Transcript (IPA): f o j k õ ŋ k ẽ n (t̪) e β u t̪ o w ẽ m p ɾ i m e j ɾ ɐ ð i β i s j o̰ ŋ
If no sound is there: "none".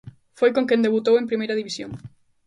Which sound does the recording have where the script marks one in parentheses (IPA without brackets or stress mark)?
d̪